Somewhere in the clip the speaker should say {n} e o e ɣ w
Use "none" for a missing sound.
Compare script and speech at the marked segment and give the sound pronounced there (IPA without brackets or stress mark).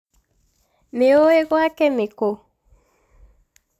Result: m